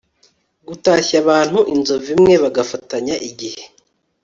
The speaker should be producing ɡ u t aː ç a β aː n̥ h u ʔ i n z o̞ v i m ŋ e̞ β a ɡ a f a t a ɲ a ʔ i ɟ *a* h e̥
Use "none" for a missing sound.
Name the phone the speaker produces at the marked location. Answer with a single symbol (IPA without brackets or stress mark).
i